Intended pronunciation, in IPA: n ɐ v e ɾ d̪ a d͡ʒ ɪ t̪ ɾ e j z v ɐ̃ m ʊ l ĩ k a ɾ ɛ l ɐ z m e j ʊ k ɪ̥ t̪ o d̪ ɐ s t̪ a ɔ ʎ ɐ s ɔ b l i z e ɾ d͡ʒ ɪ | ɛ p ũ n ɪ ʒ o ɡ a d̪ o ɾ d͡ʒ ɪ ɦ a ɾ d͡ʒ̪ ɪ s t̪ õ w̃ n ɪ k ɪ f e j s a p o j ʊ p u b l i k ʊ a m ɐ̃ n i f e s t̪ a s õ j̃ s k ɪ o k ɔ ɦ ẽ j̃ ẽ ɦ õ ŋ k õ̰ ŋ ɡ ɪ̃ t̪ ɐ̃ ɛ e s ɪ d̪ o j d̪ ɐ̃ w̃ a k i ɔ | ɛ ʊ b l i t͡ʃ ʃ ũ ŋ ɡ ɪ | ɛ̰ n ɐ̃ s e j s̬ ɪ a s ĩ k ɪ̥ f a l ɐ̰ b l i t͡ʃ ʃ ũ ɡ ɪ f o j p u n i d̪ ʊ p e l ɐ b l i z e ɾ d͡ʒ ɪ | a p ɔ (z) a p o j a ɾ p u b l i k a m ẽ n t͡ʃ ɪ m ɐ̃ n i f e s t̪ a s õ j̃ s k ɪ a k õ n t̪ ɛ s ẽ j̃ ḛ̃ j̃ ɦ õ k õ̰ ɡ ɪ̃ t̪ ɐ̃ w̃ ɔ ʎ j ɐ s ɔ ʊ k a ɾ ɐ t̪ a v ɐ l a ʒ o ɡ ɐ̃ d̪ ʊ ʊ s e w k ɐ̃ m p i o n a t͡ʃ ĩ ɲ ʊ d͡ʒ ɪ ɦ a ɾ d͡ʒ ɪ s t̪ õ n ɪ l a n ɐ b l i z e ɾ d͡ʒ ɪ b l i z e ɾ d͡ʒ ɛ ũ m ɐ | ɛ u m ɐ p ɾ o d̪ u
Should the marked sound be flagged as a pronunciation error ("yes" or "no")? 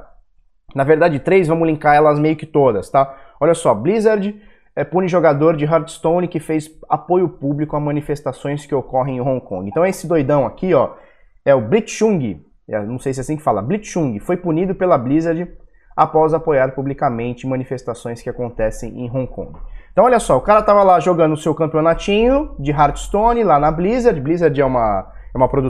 no